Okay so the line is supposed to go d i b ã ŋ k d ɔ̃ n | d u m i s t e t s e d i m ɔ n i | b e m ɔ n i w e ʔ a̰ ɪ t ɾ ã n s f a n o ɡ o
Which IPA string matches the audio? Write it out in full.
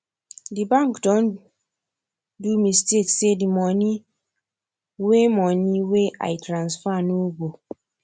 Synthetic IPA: d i b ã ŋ k d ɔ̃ n | d u m i s t e t s e d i m ɔ n i | w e m ɔ n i w e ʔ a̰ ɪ t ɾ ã n s f a n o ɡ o